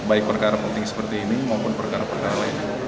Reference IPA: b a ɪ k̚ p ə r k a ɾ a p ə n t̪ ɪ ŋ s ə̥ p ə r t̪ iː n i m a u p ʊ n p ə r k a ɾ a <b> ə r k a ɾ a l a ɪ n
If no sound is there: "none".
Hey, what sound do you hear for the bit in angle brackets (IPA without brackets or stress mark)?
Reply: p